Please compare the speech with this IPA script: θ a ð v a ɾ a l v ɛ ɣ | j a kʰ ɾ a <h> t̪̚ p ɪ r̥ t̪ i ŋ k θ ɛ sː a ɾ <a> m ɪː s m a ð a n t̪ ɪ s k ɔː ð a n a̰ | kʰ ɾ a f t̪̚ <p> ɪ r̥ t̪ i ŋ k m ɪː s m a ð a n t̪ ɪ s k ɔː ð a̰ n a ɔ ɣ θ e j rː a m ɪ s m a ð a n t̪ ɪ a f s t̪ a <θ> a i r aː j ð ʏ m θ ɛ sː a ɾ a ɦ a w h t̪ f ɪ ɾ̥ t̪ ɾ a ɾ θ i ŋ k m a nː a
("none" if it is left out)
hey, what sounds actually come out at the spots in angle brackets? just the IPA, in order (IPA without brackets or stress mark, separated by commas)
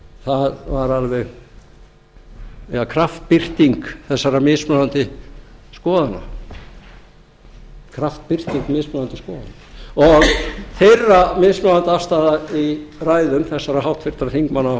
f, a, p, ð